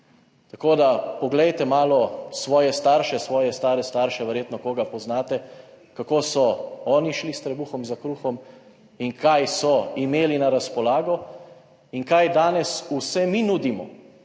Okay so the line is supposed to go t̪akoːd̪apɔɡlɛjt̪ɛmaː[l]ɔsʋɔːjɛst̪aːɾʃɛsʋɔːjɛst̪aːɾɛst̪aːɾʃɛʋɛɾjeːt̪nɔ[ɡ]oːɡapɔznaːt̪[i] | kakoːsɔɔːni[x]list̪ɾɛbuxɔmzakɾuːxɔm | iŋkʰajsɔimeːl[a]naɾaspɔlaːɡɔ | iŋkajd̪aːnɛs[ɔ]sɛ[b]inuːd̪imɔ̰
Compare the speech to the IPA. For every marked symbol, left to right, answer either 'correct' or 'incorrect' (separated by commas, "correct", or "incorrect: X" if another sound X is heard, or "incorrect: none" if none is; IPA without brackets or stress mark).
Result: correct, incorrect: k, incorrect: ɛ, incorrect: ʃ, incorrect: i, incorrect: u, incorrect: m